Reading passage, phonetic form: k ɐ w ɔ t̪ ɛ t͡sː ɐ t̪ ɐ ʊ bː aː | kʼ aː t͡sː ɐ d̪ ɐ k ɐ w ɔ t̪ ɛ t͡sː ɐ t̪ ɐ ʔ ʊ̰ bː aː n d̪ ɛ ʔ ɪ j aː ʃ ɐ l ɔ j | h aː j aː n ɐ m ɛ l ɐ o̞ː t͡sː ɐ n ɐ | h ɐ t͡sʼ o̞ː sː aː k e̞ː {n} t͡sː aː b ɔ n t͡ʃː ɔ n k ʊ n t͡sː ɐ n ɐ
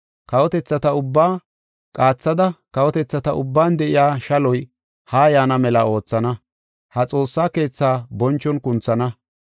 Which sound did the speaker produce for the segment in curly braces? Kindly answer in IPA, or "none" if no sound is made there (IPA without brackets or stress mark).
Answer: none